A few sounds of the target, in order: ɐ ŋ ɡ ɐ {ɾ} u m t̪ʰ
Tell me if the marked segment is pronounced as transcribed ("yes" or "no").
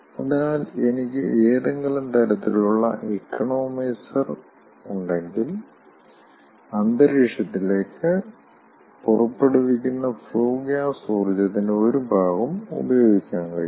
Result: no